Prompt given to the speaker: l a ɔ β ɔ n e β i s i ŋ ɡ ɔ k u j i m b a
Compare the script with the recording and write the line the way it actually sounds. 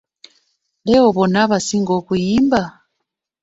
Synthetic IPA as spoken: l ɛ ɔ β ɔ n a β a s i ŋ ɡ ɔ k u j i m b a